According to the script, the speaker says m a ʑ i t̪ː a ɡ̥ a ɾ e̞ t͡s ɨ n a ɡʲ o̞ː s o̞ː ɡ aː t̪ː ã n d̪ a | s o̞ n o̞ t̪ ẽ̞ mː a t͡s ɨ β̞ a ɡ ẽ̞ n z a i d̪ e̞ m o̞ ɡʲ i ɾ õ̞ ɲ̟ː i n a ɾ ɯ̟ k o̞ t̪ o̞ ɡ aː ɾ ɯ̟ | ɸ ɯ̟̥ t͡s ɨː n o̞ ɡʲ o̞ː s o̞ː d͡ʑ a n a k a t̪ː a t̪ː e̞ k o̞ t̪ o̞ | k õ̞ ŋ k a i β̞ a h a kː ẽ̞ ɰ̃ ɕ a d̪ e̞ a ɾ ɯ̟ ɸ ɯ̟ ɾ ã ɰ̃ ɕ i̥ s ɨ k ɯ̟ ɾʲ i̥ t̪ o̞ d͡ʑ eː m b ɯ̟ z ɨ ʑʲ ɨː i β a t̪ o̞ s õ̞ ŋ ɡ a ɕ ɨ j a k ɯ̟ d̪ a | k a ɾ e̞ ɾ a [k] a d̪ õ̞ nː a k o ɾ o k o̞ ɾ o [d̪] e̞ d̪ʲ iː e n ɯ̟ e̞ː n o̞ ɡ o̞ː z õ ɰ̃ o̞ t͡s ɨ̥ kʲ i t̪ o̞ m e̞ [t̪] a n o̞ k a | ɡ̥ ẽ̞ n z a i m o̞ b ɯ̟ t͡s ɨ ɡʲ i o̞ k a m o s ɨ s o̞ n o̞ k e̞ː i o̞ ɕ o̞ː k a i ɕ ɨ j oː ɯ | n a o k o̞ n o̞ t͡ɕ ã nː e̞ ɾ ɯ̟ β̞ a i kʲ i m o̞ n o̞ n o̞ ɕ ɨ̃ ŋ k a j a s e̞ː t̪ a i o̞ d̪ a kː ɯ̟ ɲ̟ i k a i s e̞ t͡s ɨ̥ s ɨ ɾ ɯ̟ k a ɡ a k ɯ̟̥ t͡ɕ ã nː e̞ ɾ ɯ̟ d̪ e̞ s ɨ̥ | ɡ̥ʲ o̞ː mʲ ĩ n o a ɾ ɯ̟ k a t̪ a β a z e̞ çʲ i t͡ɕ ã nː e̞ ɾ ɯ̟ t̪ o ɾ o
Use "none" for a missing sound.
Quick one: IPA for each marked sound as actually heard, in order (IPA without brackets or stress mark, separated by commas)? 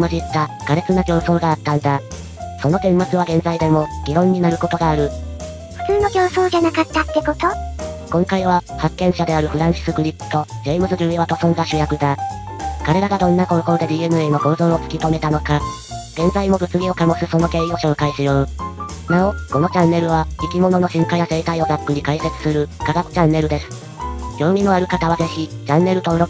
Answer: ɡ, d̪, t̪